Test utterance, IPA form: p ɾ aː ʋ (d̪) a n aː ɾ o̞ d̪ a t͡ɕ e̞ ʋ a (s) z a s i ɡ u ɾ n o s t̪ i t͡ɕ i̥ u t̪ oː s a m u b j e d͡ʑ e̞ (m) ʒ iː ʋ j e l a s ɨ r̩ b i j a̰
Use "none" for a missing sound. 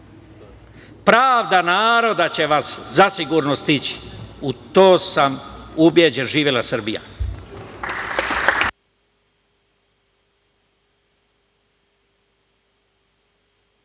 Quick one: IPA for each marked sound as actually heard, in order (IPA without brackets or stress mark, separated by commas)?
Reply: d̪, s, n